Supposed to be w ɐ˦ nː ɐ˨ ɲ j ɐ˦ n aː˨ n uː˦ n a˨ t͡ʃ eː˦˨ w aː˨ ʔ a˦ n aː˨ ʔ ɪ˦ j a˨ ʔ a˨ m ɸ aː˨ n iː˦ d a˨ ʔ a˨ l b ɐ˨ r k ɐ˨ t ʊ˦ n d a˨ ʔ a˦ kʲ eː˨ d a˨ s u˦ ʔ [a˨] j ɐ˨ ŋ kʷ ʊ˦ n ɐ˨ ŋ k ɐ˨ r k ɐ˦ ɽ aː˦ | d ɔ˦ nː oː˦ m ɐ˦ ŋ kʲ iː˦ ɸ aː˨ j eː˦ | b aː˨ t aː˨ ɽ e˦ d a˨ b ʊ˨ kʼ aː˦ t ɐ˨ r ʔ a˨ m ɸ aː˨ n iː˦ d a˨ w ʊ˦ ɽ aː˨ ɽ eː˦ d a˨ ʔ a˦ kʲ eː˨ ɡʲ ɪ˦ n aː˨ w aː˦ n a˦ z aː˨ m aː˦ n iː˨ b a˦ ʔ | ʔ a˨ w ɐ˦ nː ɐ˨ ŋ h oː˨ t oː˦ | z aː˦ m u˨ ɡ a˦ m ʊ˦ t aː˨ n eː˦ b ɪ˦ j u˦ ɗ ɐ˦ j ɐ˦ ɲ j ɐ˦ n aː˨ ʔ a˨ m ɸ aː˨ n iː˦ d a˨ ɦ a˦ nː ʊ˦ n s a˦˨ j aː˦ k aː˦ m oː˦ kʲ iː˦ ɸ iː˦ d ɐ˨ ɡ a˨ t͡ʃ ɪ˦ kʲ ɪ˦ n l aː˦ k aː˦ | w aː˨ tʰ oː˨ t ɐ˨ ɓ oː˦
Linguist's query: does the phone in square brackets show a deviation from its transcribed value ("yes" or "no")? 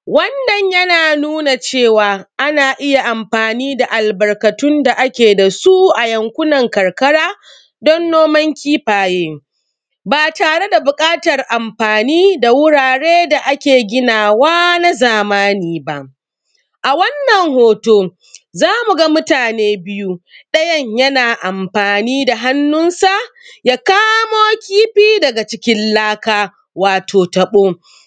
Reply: no